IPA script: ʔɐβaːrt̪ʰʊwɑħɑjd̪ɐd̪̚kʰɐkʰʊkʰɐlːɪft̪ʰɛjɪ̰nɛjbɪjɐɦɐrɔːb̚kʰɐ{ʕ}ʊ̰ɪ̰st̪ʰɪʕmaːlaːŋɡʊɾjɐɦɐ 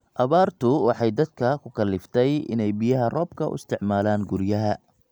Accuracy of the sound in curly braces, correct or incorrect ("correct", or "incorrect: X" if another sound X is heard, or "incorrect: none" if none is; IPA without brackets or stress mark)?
incorrect: none